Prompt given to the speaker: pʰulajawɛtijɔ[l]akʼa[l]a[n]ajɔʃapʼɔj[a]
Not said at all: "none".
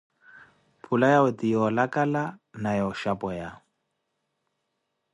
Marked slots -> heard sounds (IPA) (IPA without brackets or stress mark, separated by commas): l, l, n, a